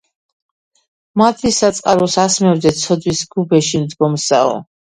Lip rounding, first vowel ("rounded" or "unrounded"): unrounded